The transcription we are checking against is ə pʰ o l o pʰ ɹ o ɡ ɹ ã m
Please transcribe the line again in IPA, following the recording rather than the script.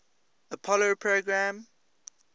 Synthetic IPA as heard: ə pʰ ɔ l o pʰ ɹ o ɡ ɹ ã m